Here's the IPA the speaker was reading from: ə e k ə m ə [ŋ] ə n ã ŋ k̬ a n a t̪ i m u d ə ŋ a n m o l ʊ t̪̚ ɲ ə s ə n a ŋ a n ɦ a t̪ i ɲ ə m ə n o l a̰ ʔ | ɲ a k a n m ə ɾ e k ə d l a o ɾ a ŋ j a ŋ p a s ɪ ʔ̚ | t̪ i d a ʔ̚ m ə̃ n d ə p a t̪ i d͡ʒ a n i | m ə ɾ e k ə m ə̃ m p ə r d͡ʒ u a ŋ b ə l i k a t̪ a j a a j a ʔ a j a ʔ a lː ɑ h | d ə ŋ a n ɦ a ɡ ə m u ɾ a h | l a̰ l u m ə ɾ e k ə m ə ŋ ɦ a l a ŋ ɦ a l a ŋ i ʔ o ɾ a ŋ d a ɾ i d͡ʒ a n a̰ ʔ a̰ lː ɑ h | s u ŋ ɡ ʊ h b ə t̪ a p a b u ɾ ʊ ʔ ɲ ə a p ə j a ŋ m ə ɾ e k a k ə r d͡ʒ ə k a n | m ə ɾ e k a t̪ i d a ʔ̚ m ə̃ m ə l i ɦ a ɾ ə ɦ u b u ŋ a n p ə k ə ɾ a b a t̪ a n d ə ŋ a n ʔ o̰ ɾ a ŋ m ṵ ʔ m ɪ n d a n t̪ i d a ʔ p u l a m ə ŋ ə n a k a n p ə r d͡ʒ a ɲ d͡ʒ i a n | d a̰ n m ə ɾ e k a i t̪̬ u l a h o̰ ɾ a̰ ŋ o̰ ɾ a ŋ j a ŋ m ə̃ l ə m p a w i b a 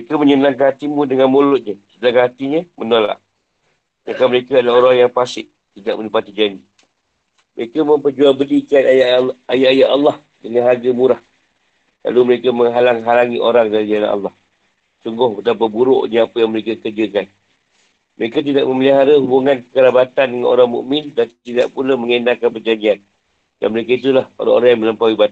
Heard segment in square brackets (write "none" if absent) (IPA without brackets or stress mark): ɲ